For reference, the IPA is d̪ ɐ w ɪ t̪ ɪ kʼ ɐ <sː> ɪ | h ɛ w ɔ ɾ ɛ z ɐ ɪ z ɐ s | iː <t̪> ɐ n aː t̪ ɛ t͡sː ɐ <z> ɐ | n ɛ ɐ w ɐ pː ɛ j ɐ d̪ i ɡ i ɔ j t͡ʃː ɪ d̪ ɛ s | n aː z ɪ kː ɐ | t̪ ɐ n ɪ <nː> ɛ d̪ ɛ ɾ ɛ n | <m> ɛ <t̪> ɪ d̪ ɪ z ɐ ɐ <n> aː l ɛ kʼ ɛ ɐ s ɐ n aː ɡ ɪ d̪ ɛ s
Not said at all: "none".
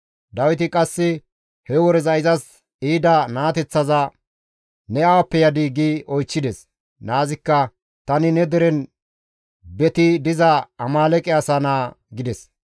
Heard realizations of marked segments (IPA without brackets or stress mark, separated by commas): sː, d̪, z, n, b, t̪, m